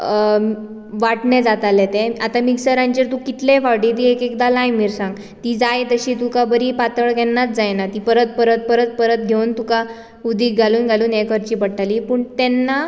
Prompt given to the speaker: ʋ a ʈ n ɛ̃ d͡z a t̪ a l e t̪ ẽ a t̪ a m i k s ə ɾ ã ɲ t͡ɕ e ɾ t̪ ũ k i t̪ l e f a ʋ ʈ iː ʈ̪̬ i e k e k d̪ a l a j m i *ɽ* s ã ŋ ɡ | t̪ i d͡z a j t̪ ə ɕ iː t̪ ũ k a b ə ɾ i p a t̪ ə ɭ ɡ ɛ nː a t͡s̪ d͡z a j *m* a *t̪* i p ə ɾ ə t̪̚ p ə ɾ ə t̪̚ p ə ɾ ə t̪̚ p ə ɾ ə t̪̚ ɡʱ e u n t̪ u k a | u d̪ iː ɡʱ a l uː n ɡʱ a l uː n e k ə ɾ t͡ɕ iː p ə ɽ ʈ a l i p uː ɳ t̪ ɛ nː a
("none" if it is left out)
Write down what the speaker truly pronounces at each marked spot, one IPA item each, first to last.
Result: ɾ, n, t̪

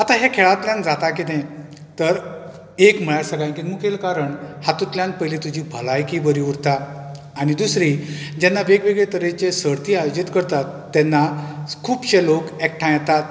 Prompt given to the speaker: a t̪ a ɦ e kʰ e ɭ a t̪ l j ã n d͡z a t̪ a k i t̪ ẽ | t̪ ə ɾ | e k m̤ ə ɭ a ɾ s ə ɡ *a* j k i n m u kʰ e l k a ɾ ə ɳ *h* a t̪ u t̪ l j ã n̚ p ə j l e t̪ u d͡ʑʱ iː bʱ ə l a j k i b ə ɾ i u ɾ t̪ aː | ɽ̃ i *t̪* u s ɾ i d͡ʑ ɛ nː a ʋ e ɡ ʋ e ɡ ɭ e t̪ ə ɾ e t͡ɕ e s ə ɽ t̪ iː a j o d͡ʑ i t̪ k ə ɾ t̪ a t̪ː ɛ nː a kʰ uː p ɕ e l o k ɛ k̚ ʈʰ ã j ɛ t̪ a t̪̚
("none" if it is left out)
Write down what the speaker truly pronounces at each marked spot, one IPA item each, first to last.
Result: a, h, d̪

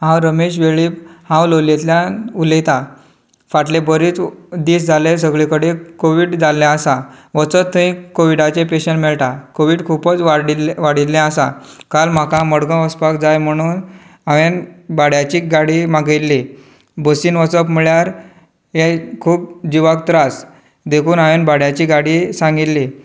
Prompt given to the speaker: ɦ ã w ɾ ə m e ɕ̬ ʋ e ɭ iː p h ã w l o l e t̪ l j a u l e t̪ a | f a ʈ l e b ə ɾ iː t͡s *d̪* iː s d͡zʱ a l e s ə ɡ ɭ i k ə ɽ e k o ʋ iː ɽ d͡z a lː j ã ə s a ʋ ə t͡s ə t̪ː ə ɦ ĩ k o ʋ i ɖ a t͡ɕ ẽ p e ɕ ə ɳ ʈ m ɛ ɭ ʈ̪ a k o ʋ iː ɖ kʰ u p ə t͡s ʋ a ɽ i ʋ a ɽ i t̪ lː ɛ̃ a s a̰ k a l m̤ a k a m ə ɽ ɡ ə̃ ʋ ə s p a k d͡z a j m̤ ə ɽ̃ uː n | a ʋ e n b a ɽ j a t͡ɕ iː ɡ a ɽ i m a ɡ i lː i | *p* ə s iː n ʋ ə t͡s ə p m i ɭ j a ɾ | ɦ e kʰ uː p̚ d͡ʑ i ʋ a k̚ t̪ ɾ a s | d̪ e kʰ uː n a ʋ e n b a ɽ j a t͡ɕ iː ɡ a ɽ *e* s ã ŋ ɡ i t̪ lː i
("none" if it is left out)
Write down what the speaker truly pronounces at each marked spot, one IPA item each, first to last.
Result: d̪, b, i

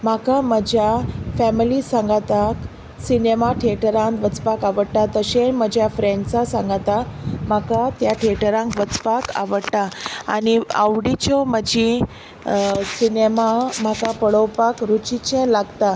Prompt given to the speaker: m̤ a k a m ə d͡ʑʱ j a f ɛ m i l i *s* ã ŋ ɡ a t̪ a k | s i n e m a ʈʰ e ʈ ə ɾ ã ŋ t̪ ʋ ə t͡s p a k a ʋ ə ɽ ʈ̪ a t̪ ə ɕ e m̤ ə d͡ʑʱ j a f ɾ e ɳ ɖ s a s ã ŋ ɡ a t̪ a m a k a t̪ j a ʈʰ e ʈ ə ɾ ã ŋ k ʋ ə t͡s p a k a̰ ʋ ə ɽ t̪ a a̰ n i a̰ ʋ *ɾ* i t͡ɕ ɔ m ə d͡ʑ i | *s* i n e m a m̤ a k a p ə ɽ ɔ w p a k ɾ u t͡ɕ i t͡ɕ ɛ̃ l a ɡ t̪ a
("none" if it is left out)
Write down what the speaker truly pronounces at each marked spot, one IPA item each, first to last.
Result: s, ɽ, s

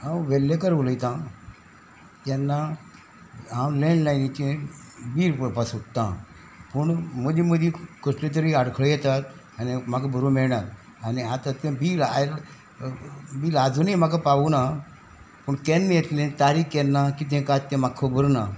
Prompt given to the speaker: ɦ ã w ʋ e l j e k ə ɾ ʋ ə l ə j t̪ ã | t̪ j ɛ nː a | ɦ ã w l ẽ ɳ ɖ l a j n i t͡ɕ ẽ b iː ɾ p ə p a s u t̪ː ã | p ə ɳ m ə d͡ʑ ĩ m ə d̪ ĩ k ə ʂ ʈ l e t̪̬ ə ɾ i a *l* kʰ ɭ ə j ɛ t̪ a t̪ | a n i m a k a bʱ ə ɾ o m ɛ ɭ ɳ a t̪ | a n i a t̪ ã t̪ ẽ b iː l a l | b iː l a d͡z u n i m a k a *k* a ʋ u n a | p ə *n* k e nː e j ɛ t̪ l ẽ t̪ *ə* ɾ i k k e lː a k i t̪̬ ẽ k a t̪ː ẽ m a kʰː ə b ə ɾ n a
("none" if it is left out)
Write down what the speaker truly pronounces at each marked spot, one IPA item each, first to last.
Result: ɽ, p, ɳ, a

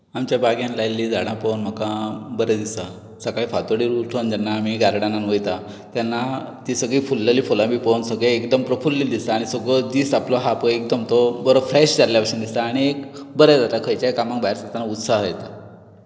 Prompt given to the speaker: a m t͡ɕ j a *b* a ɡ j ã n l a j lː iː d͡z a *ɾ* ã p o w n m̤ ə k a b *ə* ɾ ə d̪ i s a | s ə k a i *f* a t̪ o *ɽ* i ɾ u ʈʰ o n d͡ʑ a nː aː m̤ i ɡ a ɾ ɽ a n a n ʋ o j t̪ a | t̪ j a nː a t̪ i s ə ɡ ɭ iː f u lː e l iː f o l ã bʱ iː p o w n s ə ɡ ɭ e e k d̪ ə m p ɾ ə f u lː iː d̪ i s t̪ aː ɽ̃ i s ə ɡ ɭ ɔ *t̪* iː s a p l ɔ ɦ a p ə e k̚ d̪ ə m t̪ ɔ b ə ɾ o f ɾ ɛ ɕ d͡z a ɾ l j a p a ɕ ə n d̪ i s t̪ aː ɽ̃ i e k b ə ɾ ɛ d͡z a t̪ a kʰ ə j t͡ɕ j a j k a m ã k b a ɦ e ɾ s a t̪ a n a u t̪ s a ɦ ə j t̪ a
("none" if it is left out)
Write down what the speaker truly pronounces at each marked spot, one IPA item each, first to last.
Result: b, ɽ, ə, f, ɽ, d̪

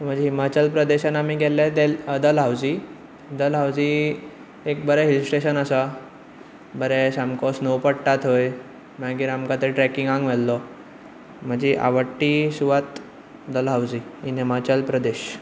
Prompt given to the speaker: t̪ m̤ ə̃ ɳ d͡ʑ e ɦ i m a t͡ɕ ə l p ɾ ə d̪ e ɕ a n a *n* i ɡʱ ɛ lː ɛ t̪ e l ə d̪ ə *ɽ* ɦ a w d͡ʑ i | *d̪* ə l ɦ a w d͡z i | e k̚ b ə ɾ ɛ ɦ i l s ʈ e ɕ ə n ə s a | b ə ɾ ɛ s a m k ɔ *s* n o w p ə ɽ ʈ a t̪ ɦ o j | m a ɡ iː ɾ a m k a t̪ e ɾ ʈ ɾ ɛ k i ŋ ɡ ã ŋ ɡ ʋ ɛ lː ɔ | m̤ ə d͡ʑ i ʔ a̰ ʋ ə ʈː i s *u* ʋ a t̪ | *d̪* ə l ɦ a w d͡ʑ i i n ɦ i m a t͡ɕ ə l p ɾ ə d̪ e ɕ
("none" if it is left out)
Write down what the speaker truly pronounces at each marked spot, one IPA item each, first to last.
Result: m, l, d̪, s, u, d̪

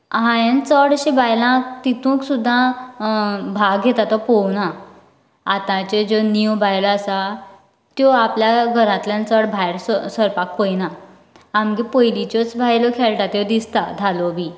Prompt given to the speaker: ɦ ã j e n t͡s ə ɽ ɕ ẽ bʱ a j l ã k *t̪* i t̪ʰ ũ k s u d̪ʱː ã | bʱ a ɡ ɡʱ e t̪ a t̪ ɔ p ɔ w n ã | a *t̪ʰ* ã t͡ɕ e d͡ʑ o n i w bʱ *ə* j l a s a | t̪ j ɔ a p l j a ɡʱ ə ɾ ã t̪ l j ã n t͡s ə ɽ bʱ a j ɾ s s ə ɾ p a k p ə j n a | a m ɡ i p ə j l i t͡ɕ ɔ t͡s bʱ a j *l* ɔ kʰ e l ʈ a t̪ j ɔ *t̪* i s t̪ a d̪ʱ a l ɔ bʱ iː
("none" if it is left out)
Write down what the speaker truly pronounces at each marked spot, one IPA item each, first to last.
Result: t̪, t̪, a, l, d̪

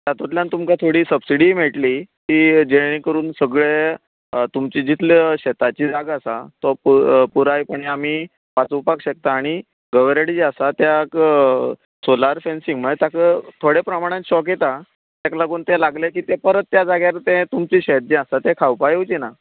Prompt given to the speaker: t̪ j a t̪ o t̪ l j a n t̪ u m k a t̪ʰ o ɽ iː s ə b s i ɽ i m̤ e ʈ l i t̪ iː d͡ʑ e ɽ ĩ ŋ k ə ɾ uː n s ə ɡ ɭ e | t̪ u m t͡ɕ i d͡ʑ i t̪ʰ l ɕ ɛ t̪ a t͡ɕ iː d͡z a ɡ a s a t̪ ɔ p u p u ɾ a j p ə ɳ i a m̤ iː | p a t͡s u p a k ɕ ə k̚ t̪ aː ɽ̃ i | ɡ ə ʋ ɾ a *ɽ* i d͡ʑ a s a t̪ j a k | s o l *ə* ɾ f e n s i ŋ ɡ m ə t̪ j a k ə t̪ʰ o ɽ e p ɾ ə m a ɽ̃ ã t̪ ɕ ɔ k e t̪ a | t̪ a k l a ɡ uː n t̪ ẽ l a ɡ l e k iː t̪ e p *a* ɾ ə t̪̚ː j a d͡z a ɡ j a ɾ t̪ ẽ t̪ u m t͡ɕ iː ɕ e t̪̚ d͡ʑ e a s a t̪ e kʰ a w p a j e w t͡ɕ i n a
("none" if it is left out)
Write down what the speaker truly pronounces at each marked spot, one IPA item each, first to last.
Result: ɽ, a, ə

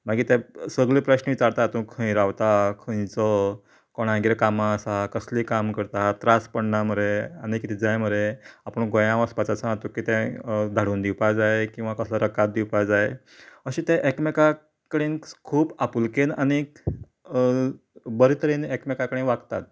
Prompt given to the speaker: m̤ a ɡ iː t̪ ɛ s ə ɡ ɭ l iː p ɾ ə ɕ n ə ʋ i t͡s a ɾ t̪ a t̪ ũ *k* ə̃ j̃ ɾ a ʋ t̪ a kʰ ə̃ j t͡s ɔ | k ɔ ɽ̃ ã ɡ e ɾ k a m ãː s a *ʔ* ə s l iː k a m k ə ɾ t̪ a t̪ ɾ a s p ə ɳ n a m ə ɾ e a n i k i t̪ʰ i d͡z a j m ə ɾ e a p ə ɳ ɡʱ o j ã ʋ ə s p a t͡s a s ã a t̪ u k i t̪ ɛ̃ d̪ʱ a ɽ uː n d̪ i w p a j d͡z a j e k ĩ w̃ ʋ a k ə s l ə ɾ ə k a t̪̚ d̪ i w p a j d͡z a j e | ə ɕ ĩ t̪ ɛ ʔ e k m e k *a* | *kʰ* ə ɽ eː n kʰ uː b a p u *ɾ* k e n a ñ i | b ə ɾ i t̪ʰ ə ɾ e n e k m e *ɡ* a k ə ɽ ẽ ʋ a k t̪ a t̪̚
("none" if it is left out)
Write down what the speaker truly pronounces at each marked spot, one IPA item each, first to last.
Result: kʰ, k, a, k, l, k

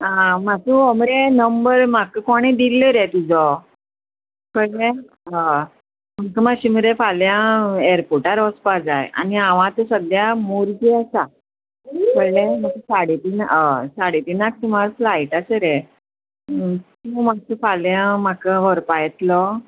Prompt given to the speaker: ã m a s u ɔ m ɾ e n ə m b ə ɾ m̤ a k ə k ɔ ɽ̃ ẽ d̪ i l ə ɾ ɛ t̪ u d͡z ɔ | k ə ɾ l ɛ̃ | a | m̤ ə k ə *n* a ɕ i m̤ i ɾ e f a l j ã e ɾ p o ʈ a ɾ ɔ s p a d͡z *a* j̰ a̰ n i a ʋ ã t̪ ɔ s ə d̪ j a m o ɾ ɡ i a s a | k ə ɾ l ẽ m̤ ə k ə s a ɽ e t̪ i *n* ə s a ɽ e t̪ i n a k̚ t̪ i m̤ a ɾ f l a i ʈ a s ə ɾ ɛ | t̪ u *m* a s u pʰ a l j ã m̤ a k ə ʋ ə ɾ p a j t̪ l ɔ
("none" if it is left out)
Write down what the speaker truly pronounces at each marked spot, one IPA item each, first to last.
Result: m, a, n, m

